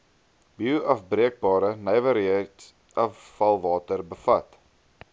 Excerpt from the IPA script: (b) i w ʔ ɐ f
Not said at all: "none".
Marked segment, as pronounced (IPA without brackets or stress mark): b